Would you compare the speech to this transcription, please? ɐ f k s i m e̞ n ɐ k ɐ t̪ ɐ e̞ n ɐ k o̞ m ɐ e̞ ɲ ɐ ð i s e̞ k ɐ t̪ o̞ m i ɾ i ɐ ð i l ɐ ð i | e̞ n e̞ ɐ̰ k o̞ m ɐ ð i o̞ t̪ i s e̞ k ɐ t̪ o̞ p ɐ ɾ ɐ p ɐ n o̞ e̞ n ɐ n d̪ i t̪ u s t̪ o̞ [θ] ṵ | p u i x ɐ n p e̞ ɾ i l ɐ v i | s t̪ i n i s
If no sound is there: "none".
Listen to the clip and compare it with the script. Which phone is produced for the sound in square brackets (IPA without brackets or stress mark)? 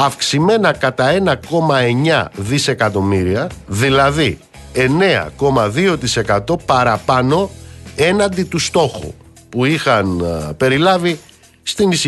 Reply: x